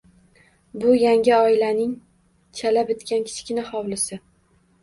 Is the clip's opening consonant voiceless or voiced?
voiced